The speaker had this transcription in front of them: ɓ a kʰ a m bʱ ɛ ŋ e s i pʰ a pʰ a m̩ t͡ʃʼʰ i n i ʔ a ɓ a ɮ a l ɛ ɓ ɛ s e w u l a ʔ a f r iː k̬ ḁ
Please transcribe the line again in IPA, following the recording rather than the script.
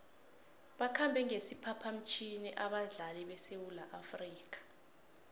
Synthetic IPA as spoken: ɓ a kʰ a m bʱ ɛ ŋ e s i pʰ a pʰ a m̩ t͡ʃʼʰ i n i ʔ a ɓ a ɮ a l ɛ ɓ ɛ s e w u l a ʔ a f r iː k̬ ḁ

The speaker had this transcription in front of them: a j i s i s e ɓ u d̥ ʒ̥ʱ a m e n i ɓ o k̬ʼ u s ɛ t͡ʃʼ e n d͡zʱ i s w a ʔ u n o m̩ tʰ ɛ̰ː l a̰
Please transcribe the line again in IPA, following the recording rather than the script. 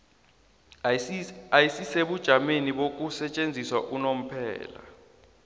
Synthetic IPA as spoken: a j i s i s e ɓ u d̥ ʒ̥ʱ a m e n i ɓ o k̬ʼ u s ɛ t͡ʃʼ e n d͡zʱ i s w a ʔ u n o m̩ pʰ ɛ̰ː l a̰

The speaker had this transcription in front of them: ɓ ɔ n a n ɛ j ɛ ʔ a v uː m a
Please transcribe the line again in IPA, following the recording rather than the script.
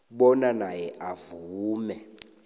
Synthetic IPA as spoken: ɓ ɔ n a n a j ɛ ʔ a v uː m ɛ

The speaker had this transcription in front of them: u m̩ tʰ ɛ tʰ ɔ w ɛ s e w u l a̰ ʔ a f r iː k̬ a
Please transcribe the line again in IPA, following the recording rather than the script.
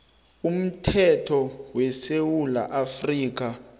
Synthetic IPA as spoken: u m̩ tʰ ɛ tʰ ɔ w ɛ s e w u l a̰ ʔ a f r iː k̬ a

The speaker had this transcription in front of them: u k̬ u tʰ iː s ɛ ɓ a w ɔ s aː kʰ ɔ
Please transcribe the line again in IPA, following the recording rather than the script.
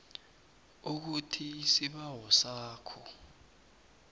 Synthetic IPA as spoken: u k̬ u tʰ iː s i ɓ a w ɔ s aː kʰ ɔ

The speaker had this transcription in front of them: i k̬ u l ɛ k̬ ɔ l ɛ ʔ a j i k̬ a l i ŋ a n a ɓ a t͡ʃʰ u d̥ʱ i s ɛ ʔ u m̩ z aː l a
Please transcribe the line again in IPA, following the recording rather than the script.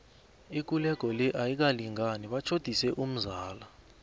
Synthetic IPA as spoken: i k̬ u l ɛ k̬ ɔ l ɛ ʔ a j i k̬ a l i ŋ a n i ɓ a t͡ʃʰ o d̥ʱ i s ɛ ʔ u m̩ z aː l a

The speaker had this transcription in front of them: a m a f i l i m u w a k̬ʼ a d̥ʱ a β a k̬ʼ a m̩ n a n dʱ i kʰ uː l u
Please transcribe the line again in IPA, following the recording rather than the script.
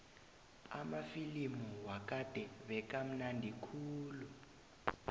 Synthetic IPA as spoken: a m a f i l i m u w a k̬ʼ a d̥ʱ ɛ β ɛ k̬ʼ a m̩ n a n dʱ i kʰ uː l u

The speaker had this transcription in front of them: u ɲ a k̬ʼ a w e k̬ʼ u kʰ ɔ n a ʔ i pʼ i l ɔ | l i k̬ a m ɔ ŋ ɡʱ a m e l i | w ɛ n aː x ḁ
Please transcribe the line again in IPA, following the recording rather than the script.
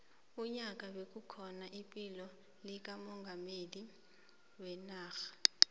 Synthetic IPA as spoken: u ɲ a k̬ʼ a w e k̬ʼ u kʰ ɔ n a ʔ i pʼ i l ɔ | l i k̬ a m ɔ ŋ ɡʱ a m e l i | w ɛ n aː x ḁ

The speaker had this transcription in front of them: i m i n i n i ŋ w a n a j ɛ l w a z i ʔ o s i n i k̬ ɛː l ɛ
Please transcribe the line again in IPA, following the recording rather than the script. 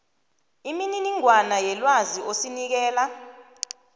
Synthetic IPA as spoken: i m i n i n i ŋ w a n a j ɛ l w a z i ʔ o s i n i k̬ ɛː l a

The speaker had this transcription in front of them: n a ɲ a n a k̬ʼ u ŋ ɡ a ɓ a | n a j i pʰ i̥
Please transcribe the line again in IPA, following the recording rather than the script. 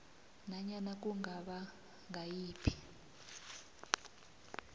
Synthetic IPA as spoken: n a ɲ a n a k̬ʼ u ŋ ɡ a ɓ a | ŋ a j iː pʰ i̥

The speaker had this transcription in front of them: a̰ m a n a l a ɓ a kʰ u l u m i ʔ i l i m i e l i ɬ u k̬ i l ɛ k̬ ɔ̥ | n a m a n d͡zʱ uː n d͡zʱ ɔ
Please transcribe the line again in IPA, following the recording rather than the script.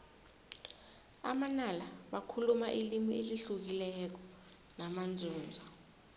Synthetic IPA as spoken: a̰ m a n a l a ɓ a kʰ u l u m a ʔ i l i m i e l i ɬ u k̬ i l ɛ k̬ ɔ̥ | n a m a n d͡zʱ uː n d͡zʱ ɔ

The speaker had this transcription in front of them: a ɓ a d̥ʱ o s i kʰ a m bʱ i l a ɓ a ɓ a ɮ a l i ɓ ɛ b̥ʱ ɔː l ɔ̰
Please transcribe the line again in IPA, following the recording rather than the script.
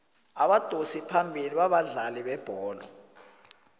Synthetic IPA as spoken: a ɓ a d̥ʱ o s i pʰ a m bʱ i l i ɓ a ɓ a ɮ a l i ɓ ɛ b̥ʱ ɔː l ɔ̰

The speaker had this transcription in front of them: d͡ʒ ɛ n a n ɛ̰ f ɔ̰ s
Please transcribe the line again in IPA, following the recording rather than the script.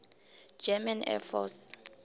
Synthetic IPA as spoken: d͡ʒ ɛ m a n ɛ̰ f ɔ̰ s

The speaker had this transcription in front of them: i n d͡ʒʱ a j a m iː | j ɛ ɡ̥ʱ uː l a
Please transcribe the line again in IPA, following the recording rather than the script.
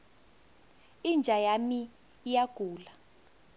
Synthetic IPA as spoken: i n d͡ʒʱ a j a m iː | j a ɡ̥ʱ uː l a

